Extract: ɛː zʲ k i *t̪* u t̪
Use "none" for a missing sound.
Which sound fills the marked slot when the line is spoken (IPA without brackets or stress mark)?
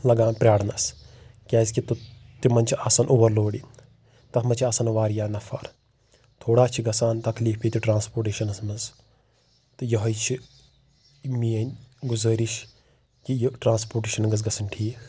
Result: t̪